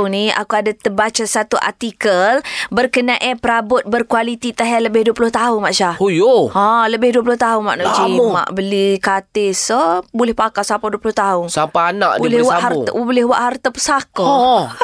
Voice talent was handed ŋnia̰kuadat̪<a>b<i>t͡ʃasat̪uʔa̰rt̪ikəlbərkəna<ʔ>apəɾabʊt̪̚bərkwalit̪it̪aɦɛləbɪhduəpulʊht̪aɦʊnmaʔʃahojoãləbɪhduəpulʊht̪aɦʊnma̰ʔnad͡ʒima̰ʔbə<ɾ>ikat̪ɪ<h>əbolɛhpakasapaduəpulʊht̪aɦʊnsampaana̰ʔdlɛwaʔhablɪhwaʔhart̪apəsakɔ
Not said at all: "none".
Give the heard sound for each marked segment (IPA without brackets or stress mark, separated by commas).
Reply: ə, a, ʔ, l, s